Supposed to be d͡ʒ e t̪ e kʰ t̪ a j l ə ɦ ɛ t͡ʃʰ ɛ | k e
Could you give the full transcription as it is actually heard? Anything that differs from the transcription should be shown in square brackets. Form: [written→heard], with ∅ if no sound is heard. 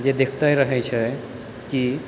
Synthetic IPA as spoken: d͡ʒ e [t̪→d̪] e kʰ t̪ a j [l→ɾ] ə ɦ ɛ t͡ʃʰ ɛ | k [e→i]